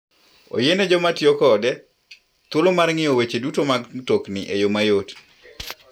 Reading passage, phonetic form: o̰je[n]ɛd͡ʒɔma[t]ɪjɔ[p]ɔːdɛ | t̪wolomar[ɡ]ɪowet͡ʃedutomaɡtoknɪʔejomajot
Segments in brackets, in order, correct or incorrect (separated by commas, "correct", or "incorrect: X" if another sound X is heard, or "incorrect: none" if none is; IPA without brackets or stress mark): correct, correct, incorrect: k, incorrect: ŋ